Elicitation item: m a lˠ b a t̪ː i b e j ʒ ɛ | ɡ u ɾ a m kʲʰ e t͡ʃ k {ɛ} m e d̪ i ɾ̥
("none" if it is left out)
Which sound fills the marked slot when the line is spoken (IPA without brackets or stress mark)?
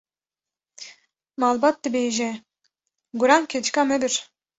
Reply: a